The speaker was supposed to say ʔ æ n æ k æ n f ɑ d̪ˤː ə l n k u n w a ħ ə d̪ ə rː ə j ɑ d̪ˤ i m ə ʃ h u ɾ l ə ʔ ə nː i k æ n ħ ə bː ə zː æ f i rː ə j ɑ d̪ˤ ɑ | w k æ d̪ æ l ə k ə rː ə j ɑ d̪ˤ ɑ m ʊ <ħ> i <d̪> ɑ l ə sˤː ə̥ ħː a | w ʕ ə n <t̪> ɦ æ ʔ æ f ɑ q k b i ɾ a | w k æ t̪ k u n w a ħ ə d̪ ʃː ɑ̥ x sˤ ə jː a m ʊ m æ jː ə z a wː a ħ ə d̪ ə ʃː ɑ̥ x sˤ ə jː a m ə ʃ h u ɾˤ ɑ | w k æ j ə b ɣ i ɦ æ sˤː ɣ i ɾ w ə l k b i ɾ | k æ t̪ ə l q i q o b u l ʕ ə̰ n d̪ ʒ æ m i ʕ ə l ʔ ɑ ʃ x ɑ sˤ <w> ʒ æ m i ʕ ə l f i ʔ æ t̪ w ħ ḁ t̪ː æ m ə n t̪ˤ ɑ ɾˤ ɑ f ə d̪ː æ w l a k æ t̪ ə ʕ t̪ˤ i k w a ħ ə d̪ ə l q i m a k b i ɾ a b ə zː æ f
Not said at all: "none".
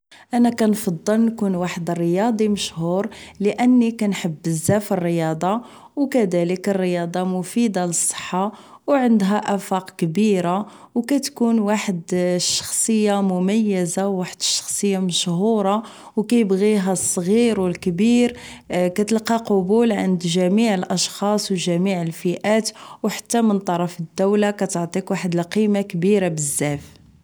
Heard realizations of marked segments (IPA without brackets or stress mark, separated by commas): f, d̪, d̪, w